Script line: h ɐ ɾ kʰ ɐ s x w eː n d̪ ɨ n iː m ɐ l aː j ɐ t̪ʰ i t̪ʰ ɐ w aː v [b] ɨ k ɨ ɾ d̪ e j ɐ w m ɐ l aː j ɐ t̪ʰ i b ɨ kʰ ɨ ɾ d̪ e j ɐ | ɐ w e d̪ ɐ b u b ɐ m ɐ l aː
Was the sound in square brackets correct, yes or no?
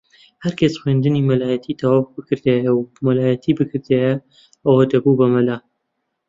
yes